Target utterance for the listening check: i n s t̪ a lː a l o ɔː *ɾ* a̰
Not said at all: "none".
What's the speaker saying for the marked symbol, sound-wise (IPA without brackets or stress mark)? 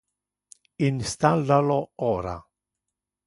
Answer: ɾ